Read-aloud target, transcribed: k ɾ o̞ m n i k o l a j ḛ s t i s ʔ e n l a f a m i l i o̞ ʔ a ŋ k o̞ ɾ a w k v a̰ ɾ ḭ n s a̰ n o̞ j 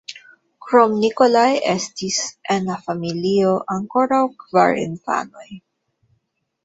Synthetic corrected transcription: k ɾ o̞ m n i k o l a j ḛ s t i s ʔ e n l a f a m i l i o̞ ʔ a ŋ k o̞ ɾ a w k v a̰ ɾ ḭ n f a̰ n o̞ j